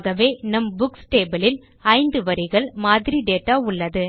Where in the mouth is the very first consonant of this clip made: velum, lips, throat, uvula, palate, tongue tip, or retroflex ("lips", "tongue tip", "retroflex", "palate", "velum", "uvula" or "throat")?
velum